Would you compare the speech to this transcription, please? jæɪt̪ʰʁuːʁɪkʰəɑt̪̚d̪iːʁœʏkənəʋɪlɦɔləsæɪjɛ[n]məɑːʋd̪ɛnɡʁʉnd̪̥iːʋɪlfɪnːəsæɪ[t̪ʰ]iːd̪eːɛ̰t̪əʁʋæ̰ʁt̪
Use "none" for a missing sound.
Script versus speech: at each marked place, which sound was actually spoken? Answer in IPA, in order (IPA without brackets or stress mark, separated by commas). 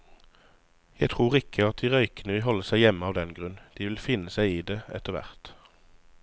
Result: none, none